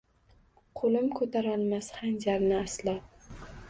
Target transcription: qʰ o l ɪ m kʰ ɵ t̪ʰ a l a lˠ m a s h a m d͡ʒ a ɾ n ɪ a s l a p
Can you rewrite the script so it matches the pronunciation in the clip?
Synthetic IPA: qʰ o l ɪ m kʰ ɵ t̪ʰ a ɾ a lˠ m a s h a n d͡ʒ a ɾ n ɪ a s l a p